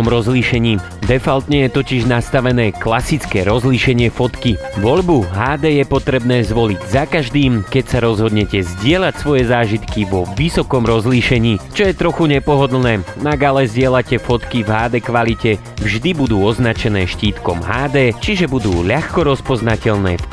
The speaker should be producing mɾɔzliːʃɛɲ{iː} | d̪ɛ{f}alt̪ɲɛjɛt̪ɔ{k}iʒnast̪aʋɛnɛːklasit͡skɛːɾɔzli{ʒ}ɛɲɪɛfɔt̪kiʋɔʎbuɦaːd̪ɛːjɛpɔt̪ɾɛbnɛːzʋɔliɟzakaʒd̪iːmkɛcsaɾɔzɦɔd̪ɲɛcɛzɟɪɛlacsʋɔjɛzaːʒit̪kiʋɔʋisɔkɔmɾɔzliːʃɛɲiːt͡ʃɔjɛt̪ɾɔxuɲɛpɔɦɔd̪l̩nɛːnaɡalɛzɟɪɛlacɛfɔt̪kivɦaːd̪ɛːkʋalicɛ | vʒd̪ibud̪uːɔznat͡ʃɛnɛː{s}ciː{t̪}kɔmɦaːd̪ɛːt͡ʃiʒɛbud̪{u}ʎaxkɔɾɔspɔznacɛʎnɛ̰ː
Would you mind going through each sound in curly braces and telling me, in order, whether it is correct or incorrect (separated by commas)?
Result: correct, correct, incorrect, incorrect, incorrect, correct, incorrect